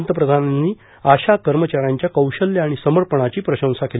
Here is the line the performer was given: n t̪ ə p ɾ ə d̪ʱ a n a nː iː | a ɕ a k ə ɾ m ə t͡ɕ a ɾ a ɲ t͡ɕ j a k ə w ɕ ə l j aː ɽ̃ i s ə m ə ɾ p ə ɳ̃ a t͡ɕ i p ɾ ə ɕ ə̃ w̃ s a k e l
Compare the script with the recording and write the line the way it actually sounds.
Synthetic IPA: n t̪ ə p ɾ ə d̪ʱ a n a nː iː | a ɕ a k ə ɾ m ə t͡ɕ a ɾ a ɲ t͡ɕ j a k ə w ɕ ə l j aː ɽ̃ i s ə m ə ɾ p ə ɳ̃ a t͡ɕ iː p ɾ ə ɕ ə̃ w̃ s a k e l